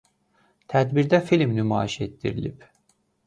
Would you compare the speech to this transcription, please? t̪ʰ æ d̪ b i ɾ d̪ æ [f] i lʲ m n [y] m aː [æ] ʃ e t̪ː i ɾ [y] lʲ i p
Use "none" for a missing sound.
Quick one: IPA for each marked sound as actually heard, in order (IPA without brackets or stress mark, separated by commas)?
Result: f, y, i, i